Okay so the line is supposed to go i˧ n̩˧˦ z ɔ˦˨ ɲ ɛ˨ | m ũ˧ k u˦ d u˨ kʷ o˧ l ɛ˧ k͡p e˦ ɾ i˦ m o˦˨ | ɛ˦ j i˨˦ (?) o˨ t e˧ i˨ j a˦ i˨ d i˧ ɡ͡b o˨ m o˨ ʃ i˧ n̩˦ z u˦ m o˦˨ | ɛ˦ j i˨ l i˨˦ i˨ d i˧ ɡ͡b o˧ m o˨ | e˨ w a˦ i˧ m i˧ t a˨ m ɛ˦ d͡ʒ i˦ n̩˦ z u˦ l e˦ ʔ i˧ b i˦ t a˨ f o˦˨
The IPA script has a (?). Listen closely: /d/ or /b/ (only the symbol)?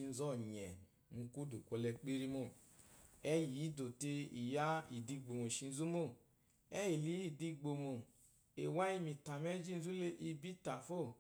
d